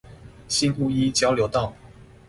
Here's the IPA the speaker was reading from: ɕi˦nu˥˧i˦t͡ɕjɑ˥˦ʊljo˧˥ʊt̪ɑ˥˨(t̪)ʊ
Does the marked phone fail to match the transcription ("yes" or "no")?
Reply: yes